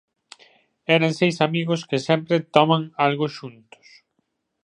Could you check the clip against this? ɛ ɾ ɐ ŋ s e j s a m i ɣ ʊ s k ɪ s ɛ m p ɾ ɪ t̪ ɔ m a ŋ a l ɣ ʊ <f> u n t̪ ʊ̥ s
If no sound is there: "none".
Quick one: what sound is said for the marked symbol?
ʃ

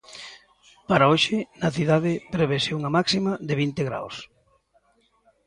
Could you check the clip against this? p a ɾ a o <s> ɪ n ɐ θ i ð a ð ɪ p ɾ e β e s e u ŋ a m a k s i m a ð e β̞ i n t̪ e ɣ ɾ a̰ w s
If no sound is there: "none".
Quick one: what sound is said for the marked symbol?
ʃ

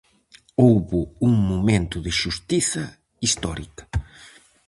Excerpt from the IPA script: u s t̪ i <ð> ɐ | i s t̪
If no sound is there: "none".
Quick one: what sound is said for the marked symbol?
θ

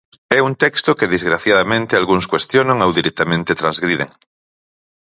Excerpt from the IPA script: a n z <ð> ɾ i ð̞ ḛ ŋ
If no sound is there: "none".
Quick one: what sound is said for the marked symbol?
ɣ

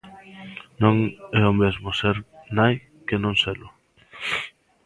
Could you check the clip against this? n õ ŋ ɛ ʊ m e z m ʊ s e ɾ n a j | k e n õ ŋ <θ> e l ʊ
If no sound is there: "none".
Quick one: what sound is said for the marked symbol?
s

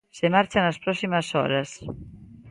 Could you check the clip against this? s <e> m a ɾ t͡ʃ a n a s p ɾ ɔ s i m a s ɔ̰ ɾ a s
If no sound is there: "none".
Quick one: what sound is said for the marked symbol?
e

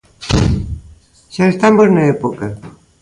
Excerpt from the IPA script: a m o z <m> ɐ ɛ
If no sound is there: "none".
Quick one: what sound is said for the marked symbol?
n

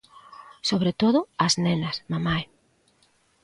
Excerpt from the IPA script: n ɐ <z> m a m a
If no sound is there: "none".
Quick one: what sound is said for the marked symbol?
s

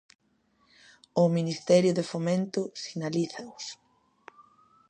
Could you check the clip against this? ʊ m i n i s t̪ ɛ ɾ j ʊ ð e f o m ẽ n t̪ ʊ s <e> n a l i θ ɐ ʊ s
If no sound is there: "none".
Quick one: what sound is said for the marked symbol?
i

